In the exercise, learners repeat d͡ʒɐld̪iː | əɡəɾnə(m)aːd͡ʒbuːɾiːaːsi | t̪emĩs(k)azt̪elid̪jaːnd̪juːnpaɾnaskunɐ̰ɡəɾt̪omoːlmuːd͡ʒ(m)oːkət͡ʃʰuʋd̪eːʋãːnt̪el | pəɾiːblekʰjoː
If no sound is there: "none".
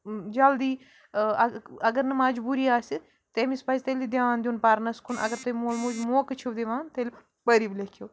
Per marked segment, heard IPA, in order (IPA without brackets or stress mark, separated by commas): m, p, m